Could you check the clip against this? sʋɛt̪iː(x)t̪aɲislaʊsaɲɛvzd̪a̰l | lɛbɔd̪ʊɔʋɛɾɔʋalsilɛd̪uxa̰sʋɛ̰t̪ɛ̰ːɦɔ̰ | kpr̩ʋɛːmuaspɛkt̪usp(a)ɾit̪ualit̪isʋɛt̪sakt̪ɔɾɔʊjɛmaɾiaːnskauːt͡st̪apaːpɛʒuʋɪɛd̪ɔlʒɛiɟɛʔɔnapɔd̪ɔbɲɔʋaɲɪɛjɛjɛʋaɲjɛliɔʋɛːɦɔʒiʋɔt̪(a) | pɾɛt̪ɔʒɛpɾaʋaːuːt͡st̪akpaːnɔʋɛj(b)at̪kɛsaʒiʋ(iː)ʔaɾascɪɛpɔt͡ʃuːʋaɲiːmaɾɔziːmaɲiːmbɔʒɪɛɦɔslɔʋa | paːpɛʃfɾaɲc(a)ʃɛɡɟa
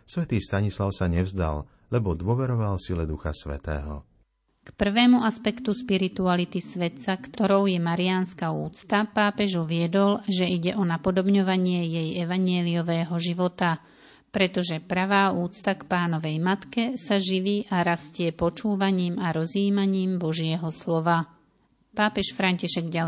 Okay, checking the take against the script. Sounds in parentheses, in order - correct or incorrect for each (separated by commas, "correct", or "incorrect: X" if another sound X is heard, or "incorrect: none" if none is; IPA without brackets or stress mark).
incorrect: s, incorrect: i, correct, incorrect: m, correct, incorrect: i